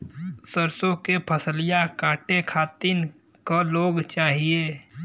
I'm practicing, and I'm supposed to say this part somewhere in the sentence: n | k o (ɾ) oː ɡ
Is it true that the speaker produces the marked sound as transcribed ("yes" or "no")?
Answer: no